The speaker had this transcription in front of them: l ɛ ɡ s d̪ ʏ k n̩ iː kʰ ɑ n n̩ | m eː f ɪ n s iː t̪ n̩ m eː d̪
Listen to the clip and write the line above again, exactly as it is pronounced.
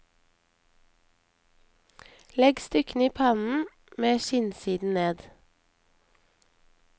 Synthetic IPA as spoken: l ɛ ɡ s t̪ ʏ k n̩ iː pʰ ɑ n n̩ | m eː ʃ ɪ n s iː d̪ n̩ n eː d̪